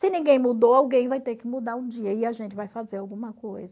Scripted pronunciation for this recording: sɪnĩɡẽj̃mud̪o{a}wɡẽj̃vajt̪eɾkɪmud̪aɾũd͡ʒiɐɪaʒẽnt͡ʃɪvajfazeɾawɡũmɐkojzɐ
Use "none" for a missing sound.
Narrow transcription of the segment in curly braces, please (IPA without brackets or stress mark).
a